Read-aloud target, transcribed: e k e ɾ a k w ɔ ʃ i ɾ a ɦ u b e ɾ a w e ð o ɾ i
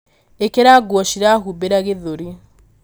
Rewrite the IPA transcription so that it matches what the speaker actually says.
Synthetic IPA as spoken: e k e ɾ a ɡ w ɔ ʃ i ɾ a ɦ u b e ɾ a ɣ e ð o ɾ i